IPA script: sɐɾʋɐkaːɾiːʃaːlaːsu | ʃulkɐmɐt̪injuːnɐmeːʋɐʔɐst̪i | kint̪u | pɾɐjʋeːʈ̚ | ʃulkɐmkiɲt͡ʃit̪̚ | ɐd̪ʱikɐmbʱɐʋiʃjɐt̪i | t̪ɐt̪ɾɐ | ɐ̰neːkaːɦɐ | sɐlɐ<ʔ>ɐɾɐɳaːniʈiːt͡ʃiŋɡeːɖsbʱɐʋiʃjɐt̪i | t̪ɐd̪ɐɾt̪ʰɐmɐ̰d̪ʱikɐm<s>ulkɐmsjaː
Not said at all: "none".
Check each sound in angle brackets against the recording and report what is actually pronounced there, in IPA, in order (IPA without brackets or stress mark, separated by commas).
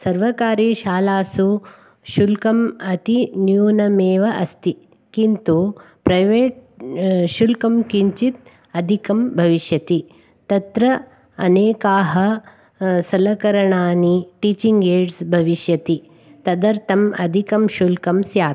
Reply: k, ʃ